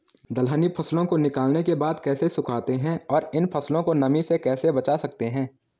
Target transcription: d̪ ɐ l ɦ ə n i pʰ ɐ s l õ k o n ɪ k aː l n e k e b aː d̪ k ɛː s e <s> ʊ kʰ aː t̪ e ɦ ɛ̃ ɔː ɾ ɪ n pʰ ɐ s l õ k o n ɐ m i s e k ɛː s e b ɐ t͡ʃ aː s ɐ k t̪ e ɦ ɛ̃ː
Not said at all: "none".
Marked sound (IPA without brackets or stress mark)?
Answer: s